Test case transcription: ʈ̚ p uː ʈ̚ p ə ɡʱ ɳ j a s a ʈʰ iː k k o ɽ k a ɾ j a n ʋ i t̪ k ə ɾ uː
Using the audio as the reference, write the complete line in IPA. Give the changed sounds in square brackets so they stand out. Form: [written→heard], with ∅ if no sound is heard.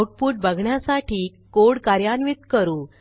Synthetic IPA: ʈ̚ p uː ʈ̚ [p→b] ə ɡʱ ɳ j a s a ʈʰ iː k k o ɽ k a ɾ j a n ʋ i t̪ k ə ɾ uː